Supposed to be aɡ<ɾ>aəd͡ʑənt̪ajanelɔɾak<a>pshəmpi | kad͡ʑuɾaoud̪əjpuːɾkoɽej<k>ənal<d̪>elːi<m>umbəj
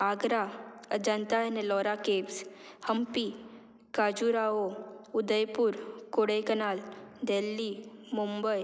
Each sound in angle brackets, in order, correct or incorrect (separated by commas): correct, incorrect, correct, correct, correct